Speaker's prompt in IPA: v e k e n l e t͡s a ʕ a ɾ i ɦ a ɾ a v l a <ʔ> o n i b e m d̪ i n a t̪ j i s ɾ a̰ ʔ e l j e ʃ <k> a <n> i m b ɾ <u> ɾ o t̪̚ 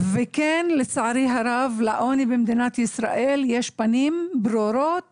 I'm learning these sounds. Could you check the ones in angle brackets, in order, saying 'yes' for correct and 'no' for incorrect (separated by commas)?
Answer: yes, no, yes, no